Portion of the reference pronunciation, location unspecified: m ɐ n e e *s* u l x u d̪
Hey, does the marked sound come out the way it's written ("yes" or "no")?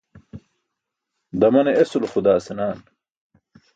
yes